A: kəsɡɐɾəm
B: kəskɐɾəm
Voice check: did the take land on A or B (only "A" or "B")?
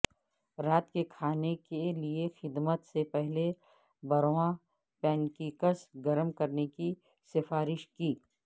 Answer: A